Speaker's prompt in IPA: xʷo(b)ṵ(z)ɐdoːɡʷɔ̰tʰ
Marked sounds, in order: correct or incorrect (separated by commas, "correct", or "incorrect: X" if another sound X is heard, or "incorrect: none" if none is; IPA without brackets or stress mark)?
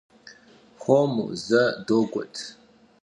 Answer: incorrect: m, correct